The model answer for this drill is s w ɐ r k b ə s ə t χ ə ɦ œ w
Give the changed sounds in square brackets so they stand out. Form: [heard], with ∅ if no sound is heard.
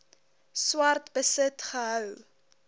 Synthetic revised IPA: s w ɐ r [t] b ə s ə t χ ə ɦ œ w

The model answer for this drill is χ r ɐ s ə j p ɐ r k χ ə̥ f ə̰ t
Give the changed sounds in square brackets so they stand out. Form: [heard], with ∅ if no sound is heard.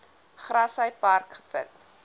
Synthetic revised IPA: χ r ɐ s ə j p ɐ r k χ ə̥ f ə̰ t

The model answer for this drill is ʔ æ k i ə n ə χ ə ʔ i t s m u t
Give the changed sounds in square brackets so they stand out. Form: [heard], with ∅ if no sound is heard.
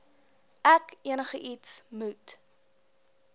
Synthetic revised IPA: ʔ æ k i ə n ə χ ə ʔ i t s m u t

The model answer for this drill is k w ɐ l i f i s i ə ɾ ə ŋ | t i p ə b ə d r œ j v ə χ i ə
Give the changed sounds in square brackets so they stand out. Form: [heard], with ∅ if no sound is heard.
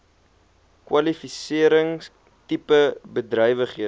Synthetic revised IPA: k w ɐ l i f i s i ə ɾ ə ŋ | t i p ə b ə d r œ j v ə χ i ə

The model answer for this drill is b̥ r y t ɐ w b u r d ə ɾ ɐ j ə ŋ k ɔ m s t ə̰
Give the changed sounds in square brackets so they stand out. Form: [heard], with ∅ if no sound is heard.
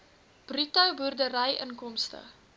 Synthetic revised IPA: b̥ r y t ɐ w b u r d ə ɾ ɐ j ə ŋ k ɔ m s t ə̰

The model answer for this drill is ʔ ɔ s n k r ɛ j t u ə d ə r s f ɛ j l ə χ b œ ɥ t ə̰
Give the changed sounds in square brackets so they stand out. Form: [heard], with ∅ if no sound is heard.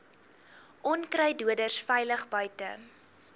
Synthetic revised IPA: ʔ ɔ [∅] n k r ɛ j [d] u ə d ə r s f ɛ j l ə χ b œ ɥ t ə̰

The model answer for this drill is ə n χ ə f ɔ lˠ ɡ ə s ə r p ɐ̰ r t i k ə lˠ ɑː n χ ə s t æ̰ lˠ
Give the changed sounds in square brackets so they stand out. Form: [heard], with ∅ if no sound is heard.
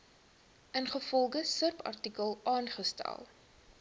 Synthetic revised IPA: ə n χ ə f ɔ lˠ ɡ ə s ə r p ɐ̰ r t i k ə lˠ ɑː n χ ə s t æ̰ lˠ

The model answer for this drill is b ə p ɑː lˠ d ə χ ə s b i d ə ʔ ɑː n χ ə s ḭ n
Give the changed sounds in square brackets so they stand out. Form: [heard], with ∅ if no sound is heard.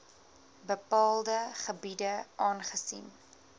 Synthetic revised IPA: b ə p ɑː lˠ d ə χ ə [∅] b i d ə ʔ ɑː n χ ə s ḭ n

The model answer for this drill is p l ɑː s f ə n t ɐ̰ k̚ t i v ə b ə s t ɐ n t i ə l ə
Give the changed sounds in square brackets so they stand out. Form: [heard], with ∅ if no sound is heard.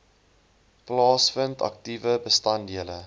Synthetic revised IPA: p l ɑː s f ə n t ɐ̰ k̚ t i v ə b ə s t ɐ n [d] i ə l ə

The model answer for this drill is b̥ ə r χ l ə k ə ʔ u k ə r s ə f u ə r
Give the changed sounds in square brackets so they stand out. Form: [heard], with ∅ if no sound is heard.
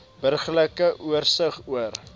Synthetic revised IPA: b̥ ə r χ l ə k ə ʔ u [∅] ə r s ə [χ] u ə r

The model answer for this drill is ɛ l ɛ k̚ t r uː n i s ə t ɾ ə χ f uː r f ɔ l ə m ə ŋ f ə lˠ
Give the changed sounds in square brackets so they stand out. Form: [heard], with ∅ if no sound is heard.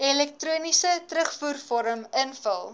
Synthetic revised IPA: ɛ l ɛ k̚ t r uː n i s ə t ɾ ə χ f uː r f ɔ [ɾ] ə m ə [n] f ə lˠ

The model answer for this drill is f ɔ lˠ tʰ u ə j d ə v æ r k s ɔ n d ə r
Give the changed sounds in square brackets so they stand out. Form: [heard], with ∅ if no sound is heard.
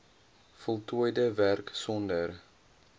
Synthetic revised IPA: f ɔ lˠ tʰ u ə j d ə v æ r k s ɔ n d ə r

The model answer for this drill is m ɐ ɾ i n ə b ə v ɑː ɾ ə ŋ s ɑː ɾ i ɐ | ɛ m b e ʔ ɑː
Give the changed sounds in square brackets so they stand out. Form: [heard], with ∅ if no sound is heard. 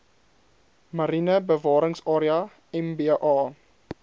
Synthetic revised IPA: m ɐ ɾ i n ə b ə v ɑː ɾ ə ŋ s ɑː ɾ i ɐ | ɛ m b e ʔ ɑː

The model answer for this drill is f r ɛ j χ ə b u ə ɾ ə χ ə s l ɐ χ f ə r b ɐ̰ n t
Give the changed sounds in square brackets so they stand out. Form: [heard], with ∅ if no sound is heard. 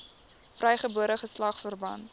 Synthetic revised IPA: f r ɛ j χ ə b u ə ɾ ə χ ə s l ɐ χ f ə r b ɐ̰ n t

